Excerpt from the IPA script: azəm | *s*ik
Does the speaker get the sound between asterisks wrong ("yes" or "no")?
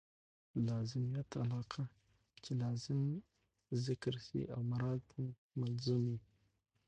yes